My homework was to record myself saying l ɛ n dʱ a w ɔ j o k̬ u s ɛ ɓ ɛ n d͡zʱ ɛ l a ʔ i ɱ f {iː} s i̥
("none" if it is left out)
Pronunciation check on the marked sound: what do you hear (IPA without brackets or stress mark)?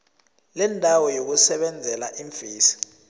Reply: iː